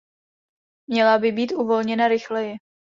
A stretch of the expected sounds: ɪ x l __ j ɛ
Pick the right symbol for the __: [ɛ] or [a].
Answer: ɛ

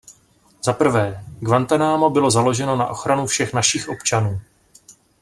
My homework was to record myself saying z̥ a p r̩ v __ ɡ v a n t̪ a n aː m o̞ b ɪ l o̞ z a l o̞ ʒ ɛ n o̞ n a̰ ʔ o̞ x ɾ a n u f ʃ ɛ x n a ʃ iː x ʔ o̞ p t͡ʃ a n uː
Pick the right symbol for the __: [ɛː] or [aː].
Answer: ɛː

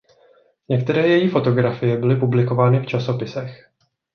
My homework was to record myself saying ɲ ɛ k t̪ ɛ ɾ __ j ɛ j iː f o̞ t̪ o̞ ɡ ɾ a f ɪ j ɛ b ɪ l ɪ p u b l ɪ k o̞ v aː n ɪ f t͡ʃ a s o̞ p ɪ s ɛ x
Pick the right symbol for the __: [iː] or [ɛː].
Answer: ɛː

